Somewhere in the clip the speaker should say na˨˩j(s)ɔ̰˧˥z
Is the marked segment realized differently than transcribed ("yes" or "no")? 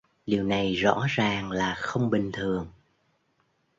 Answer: yes